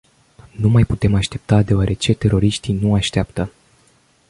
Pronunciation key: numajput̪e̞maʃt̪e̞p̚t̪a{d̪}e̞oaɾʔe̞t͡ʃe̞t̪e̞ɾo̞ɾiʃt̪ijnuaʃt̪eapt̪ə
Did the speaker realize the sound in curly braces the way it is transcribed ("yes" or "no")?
yes